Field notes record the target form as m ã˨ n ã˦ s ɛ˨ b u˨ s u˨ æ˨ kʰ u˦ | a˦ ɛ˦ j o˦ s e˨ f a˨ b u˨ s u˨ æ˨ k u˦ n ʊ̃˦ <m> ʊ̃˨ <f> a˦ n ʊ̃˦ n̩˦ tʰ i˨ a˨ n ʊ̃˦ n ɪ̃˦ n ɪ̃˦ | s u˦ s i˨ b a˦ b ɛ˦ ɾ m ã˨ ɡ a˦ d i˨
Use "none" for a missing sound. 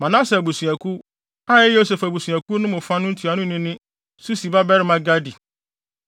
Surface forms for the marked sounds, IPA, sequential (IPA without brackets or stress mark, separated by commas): m, f